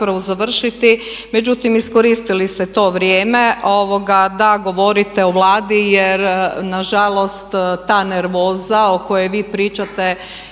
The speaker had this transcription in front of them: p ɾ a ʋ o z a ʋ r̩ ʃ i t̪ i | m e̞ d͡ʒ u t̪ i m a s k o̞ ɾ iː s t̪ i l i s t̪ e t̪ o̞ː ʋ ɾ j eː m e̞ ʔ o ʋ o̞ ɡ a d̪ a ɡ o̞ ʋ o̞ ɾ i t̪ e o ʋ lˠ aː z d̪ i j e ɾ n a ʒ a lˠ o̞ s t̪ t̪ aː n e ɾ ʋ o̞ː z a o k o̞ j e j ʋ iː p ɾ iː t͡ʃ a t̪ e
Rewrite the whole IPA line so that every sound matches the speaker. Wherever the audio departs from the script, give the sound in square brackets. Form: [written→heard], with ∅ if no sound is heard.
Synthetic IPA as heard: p ɾ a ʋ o z a ʋ r̩ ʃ i t̪ i | m e̞ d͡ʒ u t̪ i m [a→i] s k o̞ ɾ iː s t̪ i l i s t̪ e t̪ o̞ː ʋ ɾ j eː m e̞ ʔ o ʋ o̞ ɡ a d̪ a ɡ o̞ ʋ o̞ ɾ i t̪ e o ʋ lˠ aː [z→∅] d̪ i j e ɾ n a ʒ a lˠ o̞ s t̪ t̪ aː n e ɾ ʋ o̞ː z a o k o̞ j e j ʋ iː p ɾ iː t͡ʃ a t̪ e